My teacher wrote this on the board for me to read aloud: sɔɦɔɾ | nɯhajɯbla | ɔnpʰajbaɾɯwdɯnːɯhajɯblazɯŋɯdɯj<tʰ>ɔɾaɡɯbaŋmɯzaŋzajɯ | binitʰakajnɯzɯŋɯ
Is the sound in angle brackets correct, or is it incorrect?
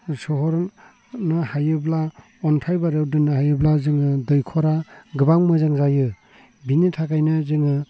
incorrect